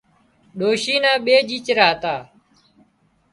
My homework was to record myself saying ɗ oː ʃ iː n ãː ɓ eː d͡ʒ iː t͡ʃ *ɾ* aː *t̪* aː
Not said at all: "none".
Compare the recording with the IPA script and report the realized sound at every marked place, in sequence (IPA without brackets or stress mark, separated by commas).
ɾ, t̪